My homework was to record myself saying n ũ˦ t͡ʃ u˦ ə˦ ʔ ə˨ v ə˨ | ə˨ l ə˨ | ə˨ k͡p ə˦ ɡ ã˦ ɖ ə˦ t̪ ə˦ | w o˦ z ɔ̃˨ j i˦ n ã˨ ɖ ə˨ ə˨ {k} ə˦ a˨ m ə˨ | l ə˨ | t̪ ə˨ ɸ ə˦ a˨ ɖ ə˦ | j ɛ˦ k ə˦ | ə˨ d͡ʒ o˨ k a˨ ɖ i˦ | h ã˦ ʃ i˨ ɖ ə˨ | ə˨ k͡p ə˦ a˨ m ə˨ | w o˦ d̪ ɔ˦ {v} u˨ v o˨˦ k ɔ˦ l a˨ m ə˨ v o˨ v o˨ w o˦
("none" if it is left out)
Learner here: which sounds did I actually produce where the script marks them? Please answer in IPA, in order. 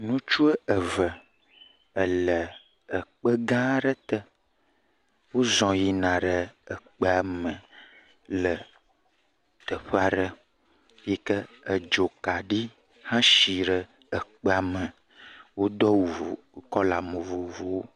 k͡p, w

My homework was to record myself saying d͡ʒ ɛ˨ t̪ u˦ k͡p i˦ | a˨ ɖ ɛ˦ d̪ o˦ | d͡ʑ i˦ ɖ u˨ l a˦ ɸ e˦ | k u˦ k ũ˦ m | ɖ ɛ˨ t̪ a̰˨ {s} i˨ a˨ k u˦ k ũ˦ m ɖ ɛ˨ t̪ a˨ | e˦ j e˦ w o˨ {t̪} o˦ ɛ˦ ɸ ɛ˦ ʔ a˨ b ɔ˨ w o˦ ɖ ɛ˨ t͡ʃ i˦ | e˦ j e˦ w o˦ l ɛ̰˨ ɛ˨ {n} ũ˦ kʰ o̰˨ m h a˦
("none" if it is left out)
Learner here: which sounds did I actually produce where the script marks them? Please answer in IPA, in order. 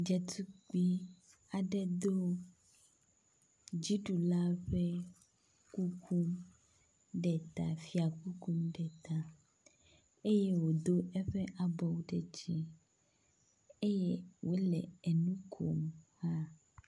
f, d̪, n

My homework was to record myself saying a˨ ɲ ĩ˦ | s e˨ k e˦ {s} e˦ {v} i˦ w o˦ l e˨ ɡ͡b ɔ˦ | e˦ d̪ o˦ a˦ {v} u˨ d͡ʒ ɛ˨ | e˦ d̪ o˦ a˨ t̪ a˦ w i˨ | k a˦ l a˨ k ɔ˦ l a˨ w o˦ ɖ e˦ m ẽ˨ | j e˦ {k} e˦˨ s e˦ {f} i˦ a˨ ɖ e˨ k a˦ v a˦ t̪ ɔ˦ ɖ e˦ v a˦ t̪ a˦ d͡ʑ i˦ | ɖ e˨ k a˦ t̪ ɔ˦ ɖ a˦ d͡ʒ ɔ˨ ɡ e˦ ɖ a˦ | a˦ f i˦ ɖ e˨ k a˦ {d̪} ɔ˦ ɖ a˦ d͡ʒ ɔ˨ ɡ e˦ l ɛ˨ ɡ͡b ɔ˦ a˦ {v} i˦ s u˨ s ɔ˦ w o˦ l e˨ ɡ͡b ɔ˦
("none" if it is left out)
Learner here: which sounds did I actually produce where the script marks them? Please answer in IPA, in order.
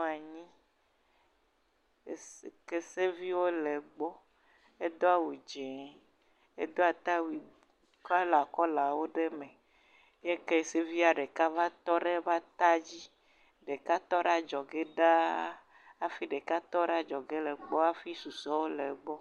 s, v, w, k, v, t̪, f

